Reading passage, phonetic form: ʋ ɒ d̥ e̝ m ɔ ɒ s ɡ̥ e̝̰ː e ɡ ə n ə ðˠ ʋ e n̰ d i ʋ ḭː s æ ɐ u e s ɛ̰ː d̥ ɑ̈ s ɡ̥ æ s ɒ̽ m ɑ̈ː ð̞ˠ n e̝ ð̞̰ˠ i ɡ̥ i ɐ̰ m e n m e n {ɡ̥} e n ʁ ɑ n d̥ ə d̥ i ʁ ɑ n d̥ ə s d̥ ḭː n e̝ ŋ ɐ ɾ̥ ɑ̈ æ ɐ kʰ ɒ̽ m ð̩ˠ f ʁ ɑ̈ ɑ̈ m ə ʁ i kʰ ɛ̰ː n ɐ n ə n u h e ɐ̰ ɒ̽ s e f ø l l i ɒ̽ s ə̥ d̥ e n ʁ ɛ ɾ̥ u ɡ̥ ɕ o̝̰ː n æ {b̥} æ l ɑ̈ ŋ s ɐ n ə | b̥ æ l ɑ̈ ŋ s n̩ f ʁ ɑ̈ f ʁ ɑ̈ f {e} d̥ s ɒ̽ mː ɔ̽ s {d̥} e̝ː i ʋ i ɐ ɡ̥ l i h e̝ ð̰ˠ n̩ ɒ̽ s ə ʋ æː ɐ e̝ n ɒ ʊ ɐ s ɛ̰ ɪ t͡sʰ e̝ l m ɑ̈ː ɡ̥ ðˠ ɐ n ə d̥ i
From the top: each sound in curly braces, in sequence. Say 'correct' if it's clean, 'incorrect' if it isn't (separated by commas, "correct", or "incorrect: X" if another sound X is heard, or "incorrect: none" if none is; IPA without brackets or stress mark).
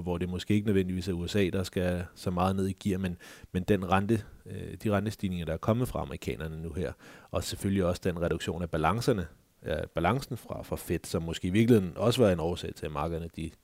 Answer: incorrect: d̥, correct, correct, incorrect: ɡ̥